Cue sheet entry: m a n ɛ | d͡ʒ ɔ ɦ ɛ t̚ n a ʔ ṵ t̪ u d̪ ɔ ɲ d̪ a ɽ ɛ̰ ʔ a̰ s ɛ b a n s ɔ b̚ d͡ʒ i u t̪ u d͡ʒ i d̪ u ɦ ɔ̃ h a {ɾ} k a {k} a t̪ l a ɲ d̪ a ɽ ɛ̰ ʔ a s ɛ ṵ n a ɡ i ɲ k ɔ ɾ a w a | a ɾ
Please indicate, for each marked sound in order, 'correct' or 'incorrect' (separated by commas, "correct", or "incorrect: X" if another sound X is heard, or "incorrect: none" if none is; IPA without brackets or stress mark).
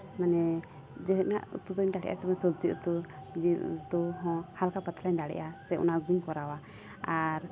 incorrect: l, incorrect: p